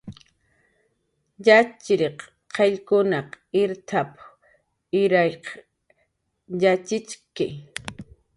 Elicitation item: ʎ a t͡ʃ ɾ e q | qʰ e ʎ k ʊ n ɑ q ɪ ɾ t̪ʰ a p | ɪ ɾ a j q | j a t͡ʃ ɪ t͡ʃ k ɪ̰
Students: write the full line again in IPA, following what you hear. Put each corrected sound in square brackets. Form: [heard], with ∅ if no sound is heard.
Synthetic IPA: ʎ a t͡ʃ ɾ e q | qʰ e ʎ k ʊ n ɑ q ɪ ɾ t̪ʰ a p | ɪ ɾ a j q | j a t͡ʃ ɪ t͡ʃ k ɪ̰